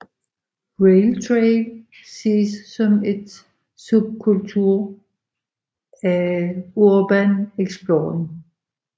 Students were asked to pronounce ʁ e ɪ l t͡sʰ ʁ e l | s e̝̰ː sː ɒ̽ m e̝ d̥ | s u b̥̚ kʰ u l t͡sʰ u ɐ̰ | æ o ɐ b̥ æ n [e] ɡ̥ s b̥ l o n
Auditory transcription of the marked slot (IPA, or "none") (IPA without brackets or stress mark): e